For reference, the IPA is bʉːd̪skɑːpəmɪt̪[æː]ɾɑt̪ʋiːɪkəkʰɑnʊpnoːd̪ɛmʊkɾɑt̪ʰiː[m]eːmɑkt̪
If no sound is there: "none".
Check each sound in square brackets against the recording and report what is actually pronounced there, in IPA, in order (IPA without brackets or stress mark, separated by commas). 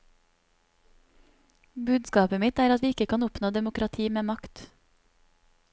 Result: æː, m